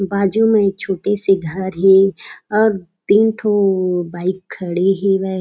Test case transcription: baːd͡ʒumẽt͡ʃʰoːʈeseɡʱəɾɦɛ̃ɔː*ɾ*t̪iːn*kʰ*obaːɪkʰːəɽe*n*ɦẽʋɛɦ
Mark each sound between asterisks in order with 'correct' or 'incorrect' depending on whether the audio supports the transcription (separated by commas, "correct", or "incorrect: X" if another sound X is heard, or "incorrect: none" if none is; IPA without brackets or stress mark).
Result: correct, incorrect: ʈʰ, incorrect: none